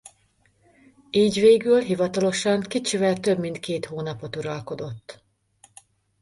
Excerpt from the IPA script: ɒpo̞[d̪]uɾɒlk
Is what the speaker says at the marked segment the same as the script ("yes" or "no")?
no